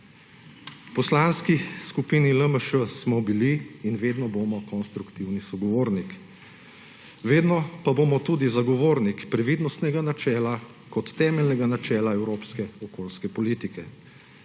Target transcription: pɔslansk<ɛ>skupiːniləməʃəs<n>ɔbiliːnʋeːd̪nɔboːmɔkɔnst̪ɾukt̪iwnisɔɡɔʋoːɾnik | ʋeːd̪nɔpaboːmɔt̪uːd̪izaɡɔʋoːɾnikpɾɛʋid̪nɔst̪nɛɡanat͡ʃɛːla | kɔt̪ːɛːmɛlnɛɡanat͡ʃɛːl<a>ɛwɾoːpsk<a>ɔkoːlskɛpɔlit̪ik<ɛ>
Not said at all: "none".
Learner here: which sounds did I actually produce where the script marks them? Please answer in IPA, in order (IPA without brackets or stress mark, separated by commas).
i, m, a, ɛ, ɛ